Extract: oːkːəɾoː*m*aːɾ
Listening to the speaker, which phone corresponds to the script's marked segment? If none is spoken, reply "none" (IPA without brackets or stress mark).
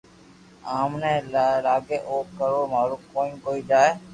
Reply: m